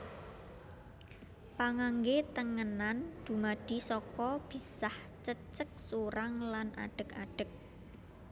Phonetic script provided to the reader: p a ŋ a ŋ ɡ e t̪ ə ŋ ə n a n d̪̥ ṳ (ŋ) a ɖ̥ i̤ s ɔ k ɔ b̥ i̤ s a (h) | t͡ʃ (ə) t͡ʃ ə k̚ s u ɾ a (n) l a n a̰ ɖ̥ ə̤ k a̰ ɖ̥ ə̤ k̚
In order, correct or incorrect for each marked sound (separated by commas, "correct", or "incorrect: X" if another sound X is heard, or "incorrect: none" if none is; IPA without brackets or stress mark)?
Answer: incorrect: m, correct, correct, incorrect: ŋ